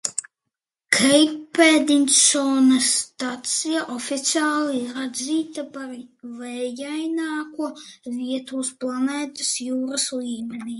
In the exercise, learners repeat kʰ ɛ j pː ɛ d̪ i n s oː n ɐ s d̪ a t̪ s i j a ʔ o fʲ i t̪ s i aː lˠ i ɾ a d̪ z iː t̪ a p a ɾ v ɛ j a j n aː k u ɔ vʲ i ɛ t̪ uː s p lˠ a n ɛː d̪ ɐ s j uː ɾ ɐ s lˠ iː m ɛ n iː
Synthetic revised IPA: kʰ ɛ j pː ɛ d̪ i n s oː n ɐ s t̪ a t̪ s i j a ʔ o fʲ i t̪ s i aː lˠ i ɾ a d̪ z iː t̪ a p a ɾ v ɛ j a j n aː k u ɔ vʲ i ɛ t̪ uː s p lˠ a n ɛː t̪ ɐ s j uː ɾ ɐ s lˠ iː m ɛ n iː